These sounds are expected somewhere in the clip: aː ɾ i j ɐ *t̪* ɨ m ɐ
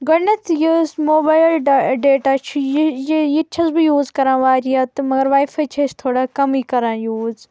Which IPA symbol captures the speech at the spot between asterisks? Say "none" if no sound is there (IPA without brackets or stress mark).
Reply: t̪